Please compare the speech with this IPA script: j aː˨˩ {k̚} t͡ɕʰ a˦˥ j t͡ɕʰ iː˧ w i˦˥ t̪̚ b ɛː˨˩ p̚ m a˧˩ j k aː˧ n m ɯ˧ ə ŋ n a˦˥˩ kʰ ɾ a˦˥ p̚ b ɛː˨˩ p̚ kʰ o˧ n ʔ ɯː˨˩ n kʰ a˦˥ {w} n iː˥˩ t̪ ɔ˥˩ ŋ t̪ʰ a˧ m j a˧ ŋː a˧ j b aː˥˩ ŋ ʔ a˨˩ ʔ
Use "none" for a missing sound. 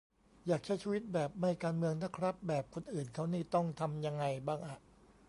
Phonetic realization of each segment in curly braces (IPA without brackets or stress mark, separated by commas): k̚, w